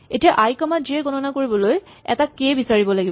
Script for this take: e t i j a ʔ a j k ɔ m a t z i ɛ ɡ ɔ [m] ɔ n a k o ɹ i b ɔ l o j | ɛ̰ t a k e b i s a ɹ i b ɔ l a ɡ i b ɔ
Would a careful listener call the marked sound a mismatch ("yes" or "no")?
yes